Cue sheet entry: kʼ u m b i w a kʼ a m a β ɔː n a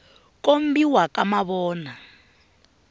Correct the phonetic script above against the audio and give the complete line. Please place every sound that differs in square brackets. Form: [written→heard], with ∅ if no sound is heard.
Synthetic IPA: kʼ [u→o] m b i w a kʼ a m a β ɔː n a